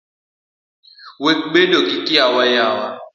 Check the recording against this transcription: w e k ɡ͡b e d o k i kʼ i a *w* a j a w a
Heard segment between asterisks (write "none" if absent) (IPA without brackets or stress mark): w